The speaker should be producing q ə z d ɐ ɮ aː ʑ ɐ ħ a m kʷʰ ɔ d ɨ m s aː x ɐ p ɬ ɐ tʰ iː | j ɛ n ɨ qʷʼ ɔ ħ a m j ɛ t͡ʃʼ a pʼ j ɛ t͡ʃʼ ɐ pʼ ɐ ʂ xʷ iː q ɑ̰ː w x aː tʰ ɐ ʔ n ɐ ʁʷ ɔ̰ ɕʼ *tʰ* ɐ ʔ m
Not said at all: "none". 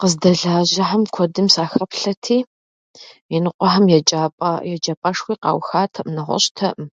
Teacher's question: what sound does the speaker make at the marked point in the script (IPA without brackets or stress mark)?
tʰ